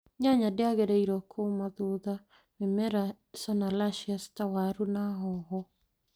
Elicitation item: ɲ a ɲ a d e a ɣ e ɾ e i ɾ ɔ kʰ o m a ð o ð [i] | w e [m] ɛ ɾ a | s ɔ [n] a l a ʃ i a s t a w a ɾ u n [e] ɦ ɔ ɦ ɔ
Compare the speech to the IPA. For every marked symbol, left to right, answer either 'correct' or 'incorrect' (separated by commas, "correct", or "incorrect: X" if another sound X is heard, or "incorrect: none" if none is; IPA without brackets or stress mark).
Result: incorrect: a, correct, correct, incorrect: a